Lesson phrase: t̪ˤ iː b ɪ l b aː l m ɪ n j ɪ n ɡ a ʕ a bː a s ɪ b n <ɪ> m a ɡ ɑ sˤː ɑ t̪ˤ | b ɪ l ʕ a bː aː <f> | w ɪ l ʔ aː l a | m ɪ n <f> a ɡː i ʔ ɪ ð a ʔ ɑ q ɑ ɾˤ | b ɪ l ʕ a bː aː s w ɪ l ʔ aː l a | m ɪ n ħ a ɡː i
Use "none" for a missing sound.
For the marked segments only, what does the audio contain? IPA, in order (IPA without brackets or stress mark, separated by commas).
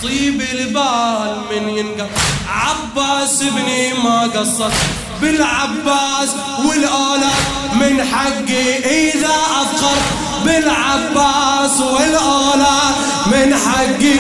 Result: i, s, ħ